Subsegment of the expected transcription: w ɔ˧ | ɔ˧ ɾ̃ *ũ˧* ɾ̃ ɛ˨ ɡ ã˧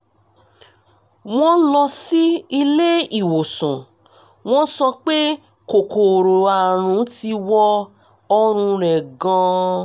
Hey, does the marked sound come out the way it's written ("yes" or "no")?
yes